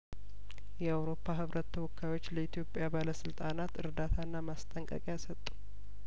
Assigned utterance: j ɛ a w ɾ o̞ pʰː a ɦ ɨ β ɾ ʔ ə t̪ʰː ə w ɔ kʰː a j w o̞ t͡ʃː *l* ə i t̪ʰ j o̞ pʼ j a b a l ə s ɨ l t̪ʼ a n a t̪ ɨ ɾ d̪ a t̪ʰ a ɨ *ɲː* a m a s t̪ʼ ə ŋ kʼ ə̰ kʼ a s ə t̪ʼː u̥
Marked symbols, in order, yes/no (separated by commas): yes, no